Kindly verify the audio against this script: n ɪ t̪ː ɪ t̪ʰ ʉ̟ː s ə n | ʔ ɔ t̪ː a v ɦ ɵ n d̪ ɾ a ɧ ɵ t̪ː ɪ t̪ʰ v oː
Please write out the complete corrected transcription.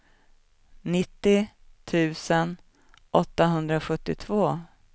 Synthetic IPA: n ɪ t̪ː ɪ t̪ʰ ʉ̟ː s ə n | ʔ ɔ t̪ː a ɦ ɵ n d̪ ɾ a ɧ ɵ t̪ː ɪ t̪ʰ v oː